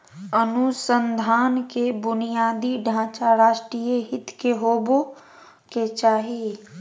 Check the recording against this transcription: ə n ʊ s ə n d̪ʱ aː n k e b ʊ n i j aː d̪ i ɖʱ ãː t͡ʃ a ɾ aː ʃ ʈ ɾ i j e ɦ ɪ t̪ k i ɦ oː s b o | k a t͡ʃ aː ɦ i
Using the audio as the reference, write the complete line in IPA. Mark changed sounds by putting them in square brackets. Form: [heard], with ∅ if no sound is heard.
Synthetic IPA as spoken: ə n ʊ s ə n d̪ʱ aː n k e b ʊ n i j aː d̪ i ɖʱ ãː t͡ʃ a ɾ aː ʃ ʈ ɾ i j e ɦ ɪ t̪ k [e] ɦ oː [∅] b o | k [e] t͡ʃ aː ɦ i